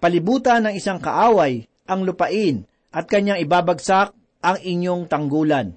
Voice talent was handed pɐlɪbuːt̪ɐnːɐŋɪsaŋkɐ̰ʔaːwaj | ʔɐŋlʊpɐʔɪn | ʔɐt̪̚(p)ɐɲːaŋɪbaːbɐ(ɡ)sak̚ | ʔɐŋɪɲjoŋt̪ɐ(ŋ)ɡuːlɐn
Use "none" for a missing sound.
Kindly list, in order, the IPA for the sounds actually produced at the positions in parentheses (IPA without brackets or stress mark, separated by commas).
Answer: k, ɡ, ŋ